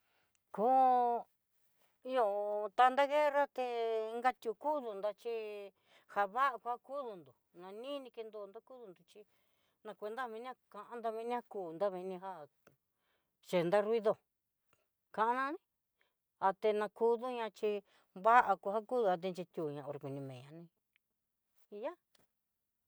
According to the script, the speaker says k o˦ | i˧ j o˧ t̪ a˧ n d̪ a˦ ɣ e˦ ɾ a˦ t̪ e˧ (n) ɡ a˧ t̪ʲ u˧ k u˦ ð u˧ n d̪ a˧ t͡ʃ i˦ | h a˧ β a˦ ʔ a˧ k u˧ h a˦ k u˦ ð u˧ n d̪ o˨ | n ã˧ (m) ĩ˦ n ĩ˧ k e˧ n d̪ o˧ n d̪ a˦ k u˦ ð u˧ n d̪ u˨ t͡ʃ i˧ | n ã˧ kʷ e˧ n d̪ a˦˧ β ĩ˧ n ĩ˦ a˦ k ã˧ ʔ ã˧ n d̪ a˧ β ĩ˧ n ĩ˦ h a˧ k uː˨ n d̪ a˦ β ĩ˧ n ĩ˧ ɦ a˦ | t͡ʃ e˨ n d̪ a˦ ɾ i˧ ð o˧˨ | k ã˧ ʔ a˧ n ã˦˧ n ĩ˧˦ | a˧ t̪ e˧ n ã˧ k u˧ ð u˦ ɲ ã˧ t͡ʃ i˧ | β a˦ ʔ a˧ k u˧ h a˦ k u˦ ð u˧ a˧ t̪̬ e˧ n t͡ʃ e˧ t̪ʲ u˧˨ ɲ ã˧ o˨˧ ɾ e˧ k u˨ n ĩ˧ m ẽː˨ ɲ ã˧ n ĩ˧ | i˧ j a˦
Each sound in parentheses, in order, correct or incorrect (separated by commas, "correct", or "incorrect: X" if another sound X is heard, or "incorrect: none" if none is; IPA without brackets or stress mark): incorrect: ŋ, incorrect: n